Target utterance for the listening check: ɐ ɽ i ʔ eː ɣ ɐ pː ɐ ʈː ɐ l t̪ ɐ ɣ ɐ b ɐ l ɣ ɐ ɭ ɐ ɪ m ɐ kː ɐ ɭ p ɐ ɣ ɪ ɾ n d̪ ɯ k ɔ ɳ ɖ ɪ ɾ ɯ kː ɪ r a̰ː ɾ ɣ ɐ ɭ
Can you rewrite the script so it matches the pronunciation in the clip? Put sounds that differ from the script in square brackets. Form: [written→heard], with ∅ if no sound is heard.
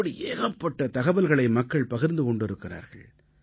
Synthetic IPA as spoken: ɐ ɽ i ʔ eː ɣ ɐ pː ɐ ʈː ɐ [l→∅] t̪ ɐ ɣ ɐ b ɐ l ɣ ɐ ɭ ɐ ɪ m ɐ kː ɐ ɭ p ɐ ɣ ɪ ɾ n d̪ ɯ k ɔ ɳ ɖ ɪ ɾ ɯ kː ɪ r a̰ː ɾ ɣ ɐ ɭ

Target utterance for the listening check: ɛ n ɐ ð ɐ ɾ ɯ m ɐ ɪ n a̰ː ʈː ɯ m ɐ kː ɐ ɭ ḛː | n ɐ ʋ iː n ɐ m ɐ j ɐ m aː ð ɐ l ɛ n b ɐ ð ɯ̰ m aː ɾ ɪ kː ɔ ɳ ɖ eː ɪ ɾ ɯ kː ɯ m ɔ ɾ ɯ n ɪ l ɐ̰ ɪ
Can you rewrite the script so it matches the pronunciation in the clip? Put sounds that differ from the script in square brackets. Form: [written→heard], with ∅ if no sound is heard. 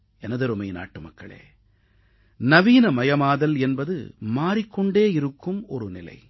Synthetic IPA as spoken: ɛ n ɐ ð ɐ ɾ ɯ m ɐ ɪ n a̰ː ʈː ɯ m ɐ kː ɐ ɭ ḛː | n ɐ ʋ iː n ɐ m ɐ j ɐ m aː ð ɐ l ɛ n b ɐ ð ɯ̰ m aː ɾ ɪ kː ɔ ɳ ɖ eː ɪ ɾ ɯ kː ɯ m ɔ ɾ ɯ n ɪ l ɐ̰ ɪ

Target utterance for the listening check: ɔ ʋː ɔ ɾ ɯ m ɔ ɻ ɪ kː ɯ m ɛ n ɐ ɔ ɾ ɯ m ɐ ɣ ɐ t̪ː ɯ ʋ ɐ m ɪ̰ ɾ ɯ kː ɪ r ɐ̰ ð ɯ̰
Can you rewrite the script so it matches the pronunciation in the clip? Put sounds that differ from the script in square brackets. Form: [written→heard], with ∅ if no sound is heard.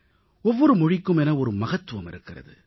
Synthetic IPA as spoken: ɔ ʋː ɔ ɾ ɯ m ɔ ɻ ɪ kː ɯ m ɛ n ɐ ɔ ɾ ɯ m ɐ ɣ ɐ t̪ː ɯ ʋ ɐ m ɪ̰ ɾ ɯ kː ɪ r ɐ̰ ð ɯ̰

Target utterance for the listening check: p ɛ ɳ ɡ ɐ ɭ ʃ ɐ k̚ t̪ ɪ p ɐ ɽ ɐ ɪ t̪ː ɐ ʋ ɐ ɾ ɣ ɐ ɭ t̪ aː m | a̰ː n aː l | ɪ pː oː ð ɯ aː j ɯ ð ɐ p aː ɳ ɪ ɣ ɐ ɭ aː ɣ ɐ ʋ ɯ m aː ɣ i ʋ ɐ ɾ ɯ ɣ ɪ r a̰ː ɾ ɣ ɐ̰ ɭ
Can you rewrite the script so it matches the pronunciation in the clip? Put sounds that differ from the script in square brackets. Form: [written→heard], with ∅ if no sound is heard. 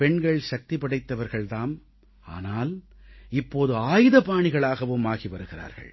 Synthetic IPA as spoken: p ɛ ɳ ɡ ɐ ɭ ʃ ɐ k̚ t̪ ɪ p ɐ ɽ ɐ ɪ t̪ː ɐ ʋ ɐ ɾ ɣ ɐ ɭ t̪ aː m | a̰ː n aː l | ɪ pː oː ð ɯ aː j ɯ ð ɐ p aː ɳ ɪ ɣ ɐ ɭ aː ɣ ɐ ʋ ɯ m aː ɣ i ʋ ɐ ɾ ɯ ɣ ɪ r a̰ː ɾ ɣ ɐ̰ ɭ

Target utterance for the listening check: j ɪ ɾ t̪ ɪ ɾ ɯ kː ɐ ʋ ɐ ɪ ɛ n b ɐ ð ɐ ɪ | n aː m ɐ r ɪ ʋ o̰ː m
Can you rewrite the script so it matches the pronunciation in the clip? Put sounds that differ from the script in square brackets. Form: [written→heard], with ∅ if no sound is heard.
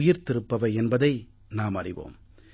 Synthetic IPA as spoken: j ɪ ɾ t̪ ɪ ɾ ɯ [kː→pː] ɐ ʋ ɐ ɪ ɛ n b ɐ ð ɐ ɪ | n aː m ɐ r ɪ ʋ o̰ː m

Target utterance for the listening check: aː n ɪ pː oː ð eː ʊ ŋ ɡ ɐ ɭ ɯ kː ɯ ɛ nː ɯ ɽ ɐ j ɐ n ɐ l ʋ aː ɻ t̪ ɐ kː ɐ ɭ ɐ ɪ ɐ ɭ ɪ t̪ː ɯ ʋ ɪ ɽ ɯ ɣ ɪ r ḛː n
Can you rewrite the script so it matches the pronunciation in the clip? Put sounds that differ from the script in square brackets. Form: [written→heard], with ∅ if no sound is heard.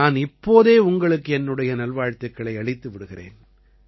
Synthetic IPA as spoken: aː n ɪ pː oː ð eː ʊ ŋ ɡ ɐ ɭ ɯ kː ɯ ɛ nː ɯ ɽ ɐ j ɐ n ɐ l ʋ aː ɻ t̪ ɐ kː ɐ ɭ ɐ ɪ ɐ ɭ ɪ t̪ː ɯ ʋ ɪ ɽ ɯ ɣ ɪ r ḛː n

